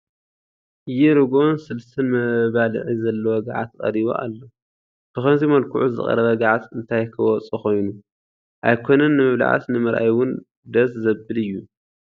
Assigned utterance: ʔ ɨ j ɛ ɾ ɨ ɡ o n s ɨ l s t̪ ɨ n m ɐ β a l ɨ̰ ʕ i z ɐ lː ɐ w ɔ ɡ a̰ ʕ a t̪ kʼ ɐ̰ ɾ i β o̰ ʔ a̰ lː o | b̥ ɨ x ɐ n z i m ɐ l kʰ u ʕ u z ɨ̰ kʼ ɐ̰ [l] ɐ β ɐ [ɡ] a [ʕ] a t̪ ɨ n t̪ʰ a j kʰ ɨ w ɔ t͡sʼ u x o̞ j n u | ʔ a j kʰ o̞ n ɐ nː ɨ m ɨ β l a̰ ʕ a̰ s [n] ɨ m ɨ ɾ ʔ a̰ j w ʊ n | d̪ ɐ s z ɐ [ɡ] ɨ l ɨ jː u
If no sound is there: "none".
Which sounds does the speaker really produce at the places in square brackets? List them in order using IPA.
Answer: ɾ, ɡ, ʕ, n, b

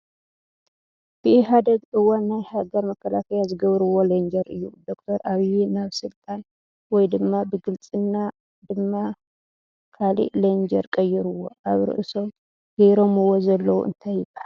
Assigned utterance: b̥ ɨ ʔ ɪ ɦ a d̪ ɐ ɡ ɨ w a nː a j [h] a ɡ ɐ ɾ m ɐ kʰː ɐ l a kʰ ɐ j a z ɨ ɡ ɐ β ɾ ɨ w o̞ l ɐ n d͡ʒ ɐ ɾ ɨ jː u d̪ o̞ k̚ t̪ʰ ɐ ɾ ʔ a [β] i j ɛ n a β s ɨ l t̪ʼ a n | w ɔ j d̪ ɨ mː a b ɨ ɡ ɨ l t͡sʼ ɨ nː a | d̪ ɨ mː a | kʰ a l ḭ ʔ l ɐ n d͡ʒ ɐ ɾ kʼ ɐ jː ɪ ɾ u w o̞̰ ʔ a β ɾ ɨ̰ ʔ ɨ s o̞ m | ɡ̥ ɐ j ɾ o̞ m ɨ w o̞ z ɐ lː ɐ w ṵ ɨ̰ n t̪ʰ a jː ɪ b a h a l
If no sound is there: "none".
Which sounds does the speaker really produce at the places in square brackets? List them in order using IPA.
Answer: h, β

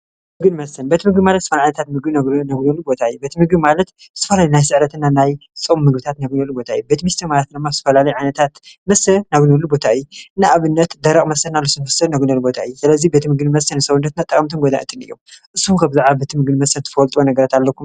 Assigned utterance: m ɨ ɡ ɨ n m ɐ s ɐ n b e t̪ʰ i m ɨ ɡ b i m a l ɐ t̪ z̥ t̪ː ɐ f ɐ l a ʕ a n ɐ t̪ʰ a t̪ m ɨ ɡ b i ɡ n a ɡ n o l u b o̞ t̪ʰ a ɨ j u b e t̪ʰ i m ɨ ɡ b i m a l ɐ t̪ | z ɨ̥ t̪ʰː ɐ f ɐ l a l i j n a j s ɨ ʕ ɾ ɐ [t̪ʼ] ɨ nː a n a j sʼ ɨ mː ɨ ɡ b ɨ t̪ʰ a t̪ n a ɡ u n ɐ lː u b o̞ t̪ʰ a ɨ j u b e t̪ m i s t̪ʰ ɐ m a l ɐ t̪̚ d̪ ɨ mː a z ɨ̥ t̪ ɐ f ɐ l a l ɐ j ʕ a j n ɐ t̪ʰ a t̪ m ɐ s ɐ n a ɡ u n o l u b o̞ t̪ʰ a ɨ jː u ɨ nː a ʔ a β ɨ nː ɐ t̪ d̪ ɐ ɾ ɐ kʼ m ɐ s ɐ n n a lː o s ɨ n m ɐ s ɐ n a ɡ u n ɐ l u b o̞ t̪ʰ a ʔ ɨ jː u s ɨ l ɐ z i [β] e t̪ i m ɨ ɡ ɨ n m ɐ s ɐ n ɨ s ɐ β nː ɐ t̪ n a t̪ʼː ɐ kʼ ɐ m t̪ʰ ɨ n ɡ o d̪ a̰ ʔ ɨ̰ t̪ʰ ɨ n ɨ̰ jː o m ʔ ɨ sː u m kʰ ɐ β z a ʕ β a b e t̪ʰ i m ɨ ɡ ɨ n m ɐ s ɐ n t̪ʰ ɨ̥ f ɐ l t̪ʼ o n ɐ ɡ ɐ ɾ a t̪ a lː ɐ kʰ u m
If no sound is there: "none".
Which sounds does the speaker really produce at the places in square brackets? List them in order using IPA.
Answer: t̪, b

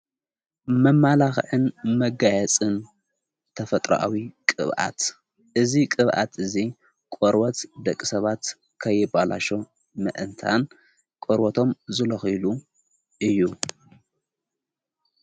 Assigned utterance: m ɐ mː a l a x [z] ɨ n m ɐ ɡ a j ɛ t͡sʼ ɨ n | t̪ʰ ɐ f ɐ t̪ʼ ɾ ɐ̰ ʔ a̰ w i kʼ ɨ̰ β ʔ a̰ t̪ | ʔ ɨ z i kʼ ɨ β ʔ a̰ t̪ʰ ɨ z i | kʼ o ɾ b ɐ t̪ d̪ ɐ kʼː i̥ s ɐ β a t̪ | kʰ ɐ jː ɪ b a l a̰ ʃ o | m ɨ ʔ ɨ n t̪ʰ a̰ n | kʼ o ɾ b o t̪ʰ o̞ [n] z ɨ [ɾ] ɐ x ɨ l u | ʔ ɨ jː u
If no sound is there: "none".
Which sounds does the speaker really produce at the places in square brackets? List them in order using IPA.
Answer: ʕ, m, l

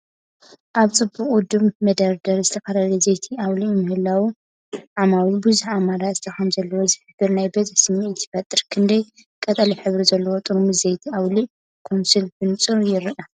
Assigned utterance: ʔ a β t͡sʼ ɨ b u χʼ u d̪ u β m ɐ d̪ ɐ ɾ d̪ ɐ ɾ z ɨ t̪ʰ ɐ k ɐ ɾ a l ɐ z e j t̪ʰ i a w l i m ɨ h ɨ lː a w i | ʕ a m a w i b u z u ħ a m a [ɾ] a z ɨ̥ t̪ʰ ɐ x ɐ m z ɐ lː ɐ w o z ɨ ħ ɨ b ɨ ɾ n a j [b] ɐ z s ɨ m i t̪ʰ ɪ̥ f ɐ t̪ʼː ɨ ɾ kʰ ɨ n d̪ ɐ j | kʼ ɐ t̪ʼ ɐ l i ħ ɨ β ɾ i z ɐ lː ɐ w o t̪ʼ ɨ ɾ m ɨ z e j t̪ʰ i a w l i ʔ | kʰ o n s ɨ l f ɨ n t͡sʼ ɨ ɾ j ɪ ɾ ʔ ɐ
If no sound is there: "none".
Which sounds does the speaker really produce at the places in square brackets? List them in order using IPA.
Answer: ɾ, b

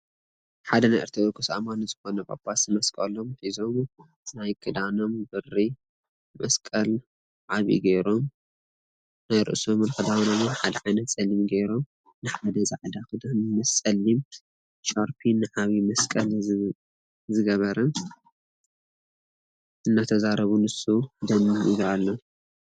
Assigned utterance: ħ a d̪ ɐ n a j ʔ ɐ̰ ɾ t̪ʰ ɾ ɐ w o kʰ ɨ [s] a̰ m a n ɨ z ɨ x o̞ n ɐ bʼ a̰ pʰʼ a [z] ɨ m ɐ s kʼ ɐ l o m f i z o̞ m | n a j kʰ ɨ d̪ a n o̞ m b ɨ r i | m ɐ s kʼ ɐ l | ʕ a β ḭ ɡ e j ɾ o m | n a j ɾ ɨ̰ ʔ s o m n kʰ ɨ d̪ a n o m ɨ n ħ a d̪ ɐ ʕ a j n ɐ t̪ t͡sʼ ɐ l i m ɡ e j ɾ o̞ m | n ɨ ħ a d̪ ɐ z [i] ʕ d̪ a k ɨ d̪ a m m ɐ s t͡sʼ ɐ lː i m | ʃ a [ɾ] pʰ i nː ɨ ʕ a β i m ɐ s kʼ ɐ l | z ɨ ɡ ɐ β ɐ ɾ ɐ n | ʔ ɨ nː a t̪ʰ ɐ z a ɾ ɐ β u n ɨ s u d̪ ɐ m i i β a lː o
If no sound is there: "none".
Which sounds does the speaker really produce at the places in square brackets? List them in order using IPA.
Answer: s, s, a, ɾ

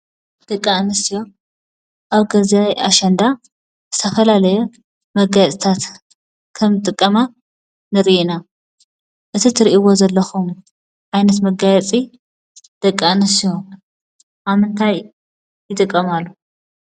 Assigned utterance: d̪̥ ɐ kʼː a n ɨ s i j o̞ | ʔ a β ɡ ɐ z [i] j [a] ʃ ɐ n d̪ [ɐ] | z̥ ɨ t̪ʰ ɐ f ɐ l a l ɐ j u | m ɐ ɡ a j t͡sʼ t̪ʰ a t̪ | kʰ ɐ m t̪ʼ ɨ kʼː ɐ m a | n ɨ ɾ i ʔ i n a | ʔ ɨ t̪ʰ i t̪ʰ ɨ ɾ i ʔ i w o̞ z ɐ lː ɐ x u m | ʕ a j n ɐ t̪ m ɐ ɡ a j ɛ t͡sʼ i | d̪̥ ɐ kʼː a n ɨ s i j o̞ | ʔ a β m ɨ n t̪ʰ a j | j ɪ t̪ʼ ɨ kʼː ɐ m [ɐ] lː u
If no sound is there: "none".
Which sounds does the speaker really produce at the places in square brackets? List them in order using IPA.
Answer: a, a, a, a

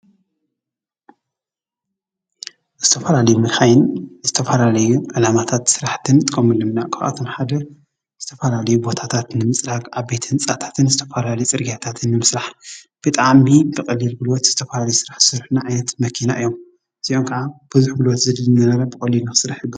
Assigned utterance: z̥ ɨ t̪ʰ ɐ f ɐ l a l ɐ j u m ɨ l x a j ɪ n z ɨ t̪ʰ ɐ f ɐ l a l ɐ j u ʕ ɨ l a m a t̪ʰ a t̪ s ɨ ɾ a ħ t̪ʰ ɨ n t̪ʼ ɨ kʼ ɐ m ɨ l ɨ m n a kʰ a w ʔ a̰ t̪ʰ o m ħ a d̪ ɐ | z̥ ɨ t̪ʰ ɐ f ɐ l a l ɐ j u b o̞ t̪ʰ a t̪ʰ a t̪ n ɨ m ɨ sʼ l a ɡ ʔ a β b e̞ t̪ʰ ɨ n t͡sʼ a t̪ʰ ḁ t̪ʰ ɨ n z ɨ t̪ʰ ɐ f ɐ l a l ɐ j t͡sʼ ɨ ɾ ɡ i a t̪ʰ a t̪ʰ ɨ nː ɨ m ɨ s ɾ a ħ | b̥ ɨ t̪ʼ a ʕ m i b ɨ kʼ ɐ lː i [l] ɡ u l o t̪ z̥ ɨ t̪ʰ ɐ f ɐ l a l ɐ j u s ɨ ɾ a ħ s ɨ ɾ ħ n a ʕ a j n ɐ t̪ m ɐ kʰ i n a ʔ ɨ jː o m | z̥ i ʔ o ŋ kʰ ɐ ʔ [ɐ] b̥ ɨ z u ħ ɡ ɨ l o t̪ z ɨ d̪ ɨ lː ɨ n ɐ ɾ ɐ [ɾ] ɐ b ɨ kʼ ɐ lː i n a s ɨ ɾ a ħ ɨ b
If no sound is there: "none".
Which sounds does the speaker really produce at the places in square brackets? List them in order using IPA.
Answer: l, a, ɾ

